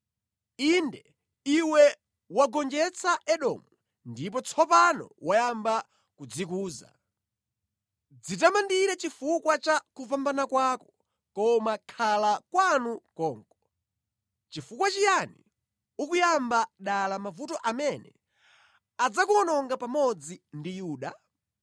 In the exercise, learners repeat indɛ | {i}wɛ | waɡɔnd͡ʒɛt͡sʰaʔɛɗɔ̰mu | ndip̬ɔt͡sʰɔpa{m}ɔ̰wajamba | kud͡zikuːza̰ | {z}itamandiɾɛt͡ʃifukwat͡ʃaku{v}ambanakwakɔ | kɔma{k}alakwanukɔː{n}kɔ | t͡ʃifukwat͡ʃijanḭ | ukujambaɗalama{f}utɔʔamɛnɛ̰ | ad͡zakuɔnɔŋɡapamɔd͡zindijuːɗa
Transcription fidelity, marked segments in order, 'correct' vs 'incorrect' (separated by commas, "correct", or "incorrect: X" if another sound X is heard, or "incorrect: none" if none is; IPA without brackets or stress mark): correct, incorrect: n, incorrect: d͡z, correct, incorrect: kʰ, incorrect: ŋ, incorrect: v